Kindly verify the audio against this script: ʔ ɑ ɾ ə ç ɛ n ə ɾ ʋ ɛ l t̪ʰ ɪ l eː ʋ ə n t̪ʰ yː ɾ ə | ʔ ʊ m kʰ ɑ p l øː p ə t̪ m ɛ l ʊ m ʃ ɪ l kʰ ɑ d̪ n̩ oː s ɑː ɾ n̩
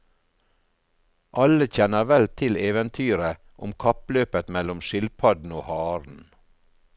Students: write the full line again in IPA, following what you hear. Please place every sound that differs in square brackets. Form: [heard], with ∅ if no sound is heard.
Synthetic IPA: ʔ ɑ [l] ə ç ɛ n ə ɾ ʋ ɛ l t̪ʰ ɪ l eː ʋ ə n t̪ʰ yː ɾ ə | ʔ ʊ m kʰ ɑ p l øː p ə t̪ m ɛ l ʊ m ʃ ɪ l [pʰ] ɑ d̪ n̩ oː [h] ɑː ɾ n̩